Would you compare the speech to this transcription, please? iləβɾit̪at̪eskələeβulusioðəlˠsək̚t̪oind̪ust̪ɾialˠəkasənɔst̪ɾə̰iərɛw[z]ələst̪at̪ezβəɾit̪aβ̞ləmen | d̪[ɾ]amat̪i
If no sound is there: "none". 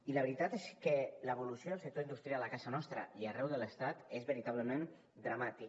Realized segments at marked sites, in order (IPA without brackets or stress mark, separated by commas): ð, ɾ